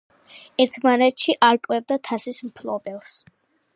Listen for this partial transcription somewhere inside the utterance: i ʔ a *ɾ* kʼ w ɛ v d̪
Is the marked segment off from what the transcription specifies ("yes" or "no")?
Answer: no